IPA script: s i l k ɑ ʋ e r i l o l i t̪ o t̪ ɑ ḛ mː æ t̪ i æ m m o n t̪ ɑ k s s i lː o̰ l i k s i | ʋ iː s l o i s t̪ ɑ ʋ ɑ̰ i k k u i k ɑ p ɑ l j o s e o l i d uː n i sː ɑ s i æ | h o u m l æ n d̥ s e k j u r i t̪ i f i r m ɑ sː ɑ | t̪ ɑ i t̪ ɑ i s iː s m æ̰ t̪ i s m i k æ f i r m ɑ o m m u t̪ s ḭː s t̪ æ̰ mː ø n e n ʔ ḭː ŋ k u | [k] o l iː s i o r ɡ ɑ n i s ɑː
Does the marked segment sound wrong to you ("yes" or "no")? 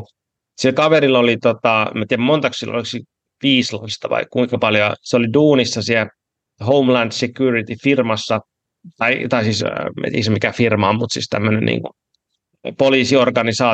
yes